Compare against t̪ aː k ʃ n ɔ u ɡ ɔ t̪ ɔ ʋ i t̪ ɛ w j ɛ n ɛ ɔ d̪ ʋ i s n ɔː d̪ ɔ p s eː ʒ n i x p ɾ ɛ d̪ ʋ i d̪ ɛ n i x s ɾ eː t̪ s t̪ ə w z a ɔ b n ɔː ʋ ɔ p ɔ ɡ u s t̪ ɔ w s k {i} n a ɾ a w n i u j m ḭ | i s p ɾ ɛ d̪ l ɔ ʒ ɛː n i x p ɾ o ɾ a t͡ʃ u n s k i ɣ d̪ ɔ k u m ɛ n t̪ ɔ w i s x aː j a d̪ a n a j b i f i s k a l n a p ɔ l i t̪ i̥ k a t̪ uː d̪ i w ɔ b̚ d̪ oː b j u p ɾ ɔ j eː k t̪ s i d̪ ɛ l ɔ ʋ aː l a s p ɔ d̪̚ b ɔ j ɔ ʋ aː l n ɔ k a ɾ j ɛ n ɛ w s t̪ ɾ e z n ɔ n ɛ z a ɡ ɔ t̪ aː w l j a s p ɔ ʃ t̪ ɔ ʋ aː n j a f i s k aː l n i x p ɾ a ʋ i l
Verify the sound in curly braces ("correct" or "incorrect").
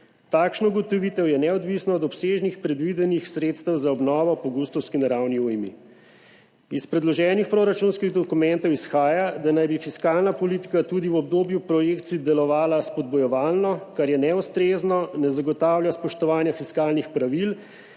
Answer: correct